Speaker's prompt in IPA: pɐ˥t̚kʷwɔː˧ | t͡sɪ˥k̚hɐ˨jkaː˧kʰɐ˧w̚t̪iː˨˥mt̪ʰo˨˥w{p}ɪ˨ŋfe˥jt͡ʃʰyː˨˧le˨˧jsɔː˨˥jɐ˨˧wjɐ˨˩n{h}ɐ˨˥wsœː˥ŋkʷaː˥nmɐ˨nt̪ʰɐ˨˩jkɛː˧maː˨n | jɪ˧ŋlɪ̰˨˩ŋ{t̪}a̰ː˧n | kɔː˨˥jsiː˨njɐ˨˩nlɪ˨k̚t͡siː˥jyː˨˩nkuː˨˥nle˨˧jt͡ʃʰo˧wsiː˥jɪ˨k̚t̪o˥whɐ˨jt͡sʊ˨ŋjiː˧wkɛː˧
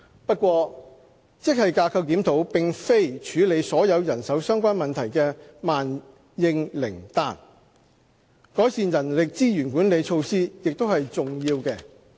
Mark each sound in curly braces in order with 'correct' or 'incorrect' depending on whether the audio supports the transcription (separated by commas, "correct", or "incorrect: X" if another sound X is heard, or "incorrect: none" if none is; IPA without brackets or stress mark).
correct, incorrect: s, correct